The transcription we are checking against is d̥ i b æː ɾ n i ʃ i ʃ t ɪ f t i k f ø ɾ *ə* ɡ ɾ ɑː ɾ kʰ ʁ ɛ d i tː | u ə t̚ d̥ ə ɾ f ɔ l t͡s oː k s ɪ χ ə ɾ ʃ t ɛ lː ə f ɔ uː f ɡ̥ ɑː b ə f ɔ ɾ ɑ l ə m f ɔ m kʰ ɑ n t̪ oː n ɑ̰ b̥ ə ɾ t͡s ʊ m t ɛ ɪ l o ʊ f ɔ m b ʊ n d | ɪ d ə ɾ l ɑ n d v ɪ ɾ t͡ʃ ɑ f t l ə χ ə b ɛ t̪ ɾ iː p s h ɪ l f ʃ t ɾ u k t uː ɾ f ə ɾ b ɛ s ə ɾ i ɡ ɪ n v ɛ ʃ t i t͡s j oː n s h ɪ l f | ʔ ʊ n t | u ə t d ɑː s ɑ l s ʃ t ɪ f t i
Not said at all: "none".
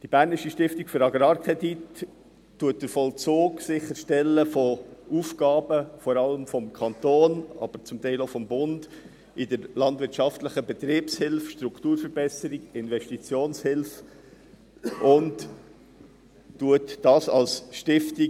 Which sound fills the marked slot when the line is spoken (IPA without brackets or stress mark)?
ɑ